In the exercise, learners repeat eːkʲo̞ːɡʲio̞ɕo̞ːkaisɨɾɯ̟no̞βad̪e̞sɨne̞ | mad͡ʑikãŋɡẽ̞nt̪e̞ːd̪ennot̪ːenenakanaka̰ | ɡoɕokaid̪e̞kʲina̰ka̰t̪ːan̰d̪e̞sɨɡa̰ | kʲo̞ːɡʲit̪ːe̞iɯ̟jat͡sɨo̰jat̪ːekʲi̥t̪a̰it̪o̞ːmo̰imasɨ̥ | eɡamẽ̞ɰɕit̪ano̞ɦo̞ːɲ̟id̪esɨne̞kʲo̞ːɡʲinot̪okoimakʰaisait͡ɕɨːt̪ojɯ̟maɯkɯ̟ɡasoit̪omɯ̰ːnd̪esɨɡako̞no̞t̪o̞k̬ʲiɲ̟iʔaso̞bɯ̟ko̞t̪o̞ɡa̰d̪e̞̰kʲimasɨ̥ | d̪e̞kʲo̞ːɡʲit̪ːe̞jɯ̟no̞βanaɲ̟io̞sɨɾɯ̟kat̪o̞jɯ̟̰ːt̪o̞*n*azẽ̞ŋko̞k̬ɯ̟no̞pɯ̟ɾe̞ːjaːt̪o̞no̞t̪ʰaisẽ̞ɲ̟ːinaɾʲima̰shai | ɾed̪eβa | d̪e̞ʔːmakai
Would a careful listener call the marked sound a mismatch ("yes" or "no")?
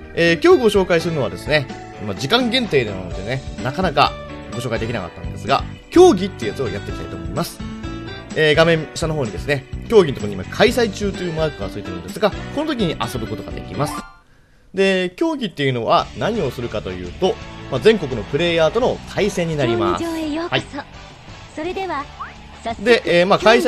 yes